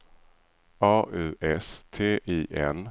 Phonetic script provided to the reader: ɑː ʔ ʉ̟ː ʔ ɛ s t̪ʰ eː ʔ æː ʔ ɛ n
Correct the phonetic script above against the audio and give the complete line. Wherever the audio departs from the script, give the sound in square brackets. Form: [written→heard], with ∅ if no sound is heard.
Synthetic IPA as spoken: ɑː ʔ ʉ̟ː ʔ ɛ s t̪ʰ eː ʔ [æː→iː] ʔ ɛ n